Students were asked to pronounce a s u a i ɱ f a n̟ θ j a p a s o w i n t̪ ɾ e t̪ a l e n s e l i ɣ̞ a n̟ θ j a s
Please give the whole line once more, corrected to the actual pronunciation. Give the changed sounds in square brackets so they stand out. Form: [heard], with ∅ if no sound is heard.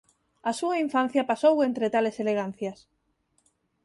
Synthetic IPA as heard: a s u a i ɱ f a n̟ θ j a p a s o w [e] n t̪ ɾ e t̪ a l e [∅] s e l [e] ɣ̞ a n̟ θ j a s